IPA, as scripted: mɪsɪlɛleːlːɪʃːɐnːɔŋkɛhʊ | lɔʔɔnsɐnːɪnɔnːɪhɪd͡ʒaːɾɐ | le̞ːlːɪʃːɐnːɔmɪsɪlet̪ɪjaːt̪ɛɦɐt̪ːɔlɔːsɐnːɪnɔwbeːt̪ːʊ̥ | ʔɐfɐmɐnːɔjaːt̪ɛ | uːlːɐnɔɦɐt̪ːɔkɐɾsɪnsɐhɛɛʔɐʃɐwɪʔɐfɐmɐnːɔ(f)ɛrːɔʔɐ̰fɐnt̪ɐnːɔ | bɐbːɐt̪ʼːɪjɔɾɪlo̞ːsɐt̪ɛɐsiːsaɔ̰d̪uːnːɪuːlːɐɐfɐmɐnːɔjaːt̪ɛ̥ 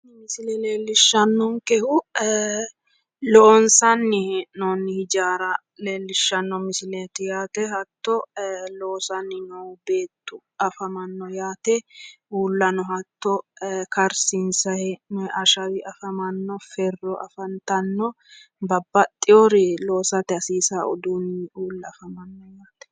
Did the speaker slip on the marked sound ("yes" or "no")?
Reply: no